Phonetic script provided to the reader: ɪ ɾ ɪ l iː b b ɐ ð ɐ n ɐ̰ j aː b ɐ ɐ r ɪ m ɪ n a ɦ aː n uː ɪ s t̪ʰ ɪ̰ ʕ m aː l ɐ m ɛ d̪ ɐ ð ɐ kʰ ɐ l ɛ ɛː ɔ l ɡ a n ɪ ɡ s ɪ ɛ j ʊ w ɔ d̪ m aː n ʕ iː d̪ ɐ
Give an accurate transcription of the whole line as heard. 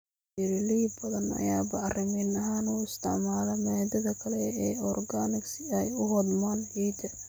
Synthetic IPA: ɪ ɾ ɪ l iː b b ɐ ð ɐ n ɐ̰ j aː b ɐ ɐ r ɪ m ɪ n ɐ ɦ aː n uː ɪ s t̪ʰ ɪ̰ ʕ m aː l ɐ m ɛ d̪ ɐ ð ɐ kʰ ɐ l ɛ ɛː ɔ r ɡ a n ɪ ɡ s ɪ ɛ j ʊ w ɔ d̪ m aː n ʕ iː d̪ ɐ